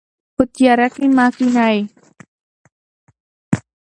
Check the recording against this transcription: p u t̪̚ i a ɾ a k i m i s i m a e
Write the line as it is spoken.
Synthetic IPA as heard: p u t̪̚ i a ɾ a k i m a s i n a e